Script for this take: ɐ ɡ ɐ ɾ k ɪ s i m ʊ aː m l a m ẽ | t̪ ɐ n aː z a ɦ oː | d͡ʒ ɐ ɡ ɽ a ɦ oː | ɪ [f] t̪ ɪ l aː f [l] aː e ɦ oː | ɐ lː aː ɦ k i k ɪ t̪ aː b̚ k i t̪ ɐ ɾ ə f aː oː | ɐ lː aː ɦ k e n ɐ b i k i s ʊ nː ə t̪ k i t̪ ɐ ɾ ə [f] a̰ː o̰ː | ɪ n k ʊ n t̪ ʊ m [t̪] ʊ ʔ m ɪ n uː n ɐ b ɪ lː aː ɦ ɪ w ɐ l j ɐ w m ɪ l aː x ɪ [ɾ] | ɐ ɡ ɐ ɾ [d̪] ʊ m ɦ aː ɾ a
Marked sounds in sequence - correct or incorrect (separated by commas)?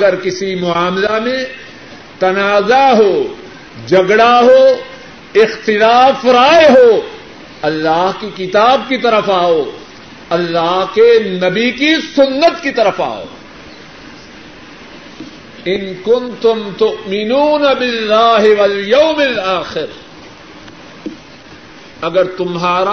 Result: incorrect, incorrect, correct, correct, correct, incorrect